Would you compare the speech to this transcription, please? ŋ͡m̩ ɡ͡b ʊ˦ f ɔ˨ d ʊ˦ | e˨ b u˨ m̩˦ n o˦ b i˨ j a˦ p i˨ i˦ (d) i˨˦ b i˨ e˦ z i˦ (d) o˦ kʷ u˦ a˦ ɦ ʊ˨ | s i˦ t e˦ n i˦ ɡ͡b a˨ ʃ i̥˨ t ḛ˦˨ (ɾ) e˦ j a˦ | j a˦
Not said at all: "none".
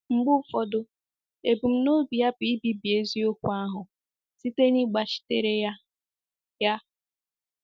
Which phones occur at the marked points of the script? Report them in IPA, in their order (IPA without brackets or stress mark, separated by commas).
b, none, ɾ